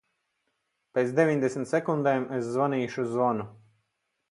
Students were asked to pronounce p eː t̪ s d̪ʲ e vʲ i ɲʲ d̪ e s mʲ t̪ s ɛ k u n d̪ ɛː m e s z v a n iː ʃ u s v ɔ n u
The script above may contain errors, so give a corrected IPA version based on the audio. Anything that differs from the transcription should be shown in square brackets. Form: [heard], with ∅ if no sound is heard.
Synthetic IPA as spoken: p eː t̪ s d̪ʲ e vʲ i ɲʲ d̪ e s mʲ t̪ s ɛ k u n d̪ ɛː m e s z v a n iː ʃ u [z] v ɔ n u